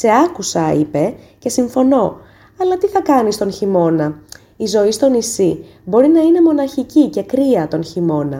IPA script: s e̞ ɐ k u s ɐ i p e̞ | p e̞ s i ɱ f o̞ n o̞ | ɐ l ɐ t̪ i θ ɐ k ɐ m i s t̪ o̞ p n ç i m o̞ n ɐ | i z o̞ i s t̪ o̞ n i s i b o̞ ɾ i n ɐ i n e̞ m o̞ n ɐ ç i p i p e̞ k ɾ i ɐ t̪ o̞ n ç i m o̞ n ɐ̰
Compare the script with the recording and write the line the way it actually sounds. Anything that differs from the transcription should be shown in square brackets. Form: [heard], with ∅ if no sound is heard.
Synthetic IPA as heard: s e̞ ɐ k u s ɐ i p e̞ | [c] e̞ s i ɱ f o̞ n o̞ | ɐ l ɐ t̪ i θ ɐ k ɐ [n] i s t̪ o̞ [∅] n ç i m o̞ n ɐ | i z o̞ i s t̪ o̞ n i s i b o̞ ɾ i n ɐ i n e̞ m o̞ n ɐ ç i [c] i [c] e̞ k ɾ i ɐ t̪ o̞ n ç i m o̞ n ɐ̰